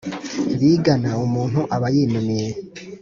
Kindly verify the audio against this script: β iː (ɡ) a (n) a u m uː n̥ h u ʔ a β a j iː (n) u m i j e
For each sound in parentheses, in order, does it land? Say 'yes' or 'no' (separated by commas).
yes, yes, yes